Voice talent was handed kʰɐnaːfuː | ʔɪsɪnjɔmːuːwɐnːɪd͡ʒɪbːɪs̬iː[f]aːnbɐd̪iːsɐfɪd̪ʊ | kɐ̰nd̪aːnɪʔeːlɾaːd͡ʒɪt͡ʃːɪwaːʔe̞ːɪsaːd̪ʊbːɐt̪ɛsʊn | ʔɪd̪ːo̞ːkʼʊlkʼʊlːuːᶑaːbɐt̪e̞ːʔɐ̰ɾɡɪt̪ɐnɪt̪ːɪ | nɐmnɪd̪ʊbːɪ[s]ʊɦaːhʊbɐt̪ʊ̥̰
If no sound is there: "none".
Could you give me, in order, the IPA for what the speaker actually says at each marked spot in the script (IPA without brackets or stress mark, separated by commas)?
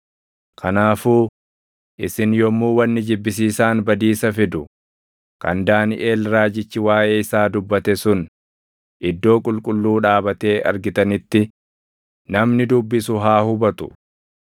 s, s